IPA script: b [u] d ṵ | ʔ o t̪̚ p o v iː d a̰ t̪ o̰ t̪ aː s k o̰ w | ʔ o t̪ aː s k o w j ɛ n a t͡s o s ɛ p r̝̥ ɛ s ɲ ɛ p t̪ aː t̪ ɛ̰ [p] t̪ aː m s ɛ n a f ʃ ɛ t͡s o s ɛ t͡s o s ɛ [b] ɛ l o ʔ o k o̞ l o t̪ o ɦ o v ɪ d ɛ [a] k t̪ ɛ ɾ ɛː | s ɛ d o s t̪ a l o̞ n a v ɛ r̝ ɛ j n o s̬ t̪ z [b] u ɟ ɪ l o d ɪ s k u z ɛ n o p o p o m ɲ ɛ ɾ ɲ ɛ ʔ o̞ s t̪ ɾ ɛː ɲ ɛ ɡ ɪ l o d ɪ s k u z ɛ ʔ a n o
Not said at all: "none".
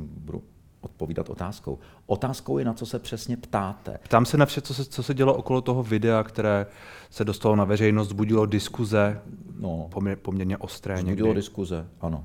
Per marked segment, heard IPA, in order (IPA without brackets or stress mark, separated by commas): u, p, ɟ, a, b